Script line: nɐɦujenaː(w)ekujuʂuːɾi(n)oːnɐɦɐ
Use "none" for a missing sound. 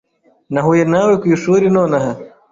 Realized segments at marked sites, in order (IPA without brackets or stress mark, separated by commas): w, n